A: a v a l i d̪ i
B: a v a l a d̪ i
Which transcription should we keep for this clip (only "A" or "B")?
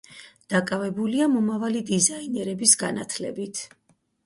A